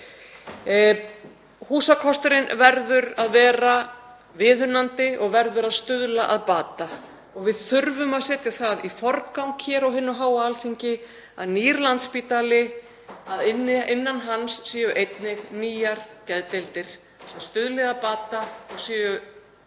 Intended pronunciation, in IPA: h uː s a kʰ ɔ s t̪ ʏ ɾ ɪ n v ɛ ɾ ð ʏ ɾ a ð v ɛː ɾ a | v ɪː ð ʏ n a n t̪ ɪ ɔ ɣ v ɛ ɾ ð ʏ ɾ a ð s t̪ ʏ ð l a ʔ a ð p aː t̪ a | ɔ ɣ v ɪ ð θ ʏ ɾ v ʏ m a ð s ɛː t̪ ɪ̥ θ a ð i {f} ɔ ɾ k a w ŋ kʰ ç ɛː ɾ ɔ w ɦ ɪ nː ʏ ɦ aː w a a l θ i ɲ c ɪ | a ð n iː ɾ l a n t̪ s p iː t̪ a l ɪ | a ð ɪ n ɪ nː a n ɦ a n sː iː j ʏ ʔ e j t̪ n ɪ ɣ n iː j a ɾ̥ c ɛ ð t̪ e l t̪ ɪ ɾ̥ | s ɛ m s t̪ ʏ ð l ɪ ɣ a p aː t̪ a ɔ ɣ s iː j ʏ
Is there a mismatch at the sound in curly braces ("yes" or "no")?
no